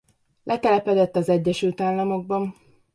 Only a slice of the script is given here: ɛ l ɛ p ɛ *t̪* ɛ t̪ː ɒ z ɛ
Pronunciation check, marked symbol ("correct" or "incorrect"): incorrect